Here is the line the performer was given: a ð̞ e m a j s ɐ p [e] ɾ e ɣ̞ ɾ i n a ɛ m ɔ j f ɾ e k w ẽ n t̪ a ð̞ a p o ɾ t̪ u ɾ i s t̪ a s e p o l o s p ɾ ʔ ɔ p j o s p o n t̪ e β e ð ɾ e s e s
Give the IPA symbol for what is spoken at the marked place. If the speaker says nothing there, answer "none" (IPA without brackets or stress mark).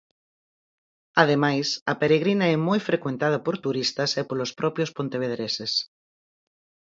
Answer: e